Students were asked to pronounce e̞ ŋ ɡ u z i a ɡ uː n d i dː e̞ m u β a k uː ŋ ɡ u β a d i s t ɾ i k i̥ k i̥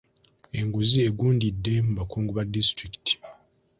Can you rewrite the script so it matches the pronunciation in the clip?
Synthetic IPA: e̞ ŋ ɡ u z i e ɡ uː n d i dː e̞ m u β a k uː ŋ ɡ u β a d i s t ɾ i k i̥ t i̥